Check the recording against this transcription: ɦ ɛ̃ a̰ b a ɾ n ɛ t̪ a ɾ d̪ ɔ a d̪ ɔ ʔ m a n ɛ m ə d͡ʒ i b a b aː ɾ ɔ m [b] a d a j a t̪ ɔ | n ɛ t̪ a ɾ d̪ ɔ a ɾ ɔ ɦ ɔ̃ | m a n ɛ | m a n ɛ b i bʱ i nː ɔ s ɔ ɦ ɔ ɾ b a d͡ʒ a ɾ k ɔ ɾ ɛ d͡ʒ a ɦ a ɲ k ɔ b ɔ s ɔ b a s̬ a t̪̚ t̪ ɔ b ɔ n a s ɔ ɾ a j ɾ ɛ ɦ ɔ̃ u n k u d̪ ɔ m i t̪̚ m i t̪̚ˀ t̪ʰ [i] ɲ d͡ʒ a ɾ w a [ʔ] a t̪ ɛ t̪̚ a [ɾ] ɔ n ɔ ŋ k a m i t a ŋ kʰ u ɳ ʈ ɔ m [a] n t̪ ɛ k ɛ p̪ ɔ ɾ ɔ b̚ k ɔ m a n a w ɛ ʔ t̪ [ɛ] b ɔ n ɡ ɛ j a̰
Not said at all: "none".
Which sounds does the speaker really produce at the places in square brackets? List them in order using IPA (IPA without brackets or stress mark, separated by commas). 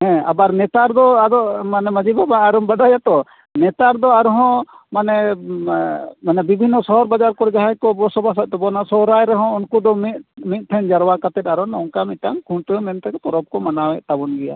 b, ɛ, k, ɾ, ɛ, a